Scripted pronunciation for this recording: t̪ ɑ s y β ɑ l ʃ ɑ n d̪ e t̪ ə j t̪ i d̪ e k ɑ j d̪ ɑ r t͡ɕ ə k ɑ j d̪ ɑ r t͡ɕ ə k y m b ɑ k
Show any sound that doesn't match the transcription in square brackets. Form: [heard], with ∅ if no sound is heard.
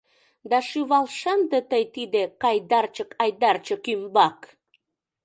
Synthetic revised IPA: [d̪] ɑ [ʃ] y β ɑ l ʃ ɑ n d̪ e t̪ ə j t̪ i d̪ e k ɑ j d̪ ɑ r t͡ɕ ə k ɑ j d̪ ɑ r t͡ɕ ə k y m b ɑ k